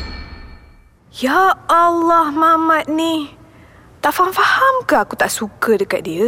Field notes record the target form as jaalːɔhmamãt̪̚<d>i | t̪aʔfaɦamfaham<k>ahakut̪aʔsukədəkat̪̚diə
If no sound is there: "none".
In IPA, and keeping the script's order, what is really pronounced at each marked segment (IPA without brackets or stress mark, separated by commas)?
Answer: n, k